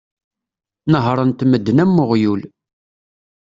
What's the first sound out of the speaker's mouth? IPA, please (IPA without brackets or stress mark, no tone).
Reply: n